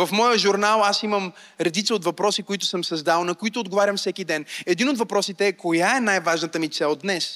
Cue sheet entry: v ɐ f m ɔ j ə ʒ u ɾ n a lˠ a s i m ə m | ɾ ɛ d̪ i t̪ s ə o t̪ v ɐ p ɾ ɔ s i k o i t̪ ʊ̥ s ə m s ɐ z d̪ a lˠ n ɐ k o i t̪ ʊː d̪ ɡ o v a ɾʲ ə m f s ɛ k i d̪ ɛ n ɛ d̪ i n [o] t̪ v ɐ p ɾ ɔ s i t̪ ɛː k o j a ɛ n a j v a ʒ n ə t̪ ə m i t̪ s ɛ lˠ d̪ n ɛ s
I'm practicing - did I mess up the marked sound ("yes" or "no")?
no